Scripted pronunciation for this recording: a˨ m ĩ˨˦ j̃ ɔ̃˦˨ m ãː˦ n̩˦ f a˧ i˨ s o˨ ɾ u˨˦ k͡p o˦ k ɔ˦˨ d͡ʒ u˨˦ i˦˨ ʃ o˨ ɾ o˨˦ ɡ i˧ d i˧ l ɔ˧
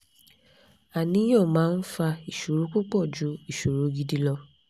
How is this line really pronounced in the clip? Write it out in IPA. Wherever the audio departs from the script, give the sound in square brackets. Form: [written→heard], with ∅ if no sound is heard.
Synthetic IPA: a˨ [m→n] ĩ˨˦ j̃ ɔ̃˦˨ m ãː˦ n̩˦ f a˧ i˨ [s→ʃ] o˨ ɾ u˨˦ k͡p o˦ [k→k͡p] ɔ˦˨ d͡ʒ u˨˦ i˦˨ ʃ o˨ ɾ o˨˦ ɡ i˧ d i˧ l ɔ˧